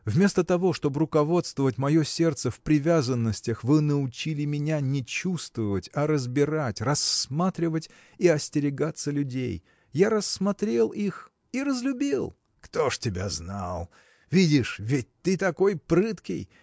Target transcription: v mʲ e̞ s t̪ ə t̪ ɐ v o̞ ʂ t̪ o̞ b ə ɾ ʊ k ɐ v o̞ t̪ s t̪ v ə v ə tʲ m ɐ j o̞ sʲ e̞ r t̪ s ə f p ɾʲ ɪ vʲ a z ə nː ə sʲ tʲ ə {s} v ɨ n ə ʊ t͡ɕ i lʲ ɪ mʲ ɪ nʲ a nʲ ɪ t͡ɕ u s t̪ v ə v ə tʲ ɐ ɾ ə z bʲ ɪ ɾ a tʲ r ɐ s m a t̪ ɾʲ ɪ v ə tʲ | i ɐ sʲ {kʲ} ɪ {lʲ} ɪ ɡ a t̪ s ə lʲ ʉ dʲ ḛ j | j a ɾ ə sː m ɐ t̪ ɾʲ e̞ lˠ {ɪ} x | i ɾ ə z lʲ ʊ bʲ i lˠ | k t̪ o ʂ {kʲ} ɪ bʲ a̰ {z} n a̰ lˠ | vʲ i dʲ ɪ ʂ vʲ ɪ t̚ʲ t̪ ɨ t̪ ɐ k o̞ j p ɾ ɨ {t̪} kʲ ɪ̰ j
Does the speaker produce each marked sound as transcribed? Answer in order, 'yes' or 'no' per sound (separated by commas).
no, no, no, no, no, yes, yes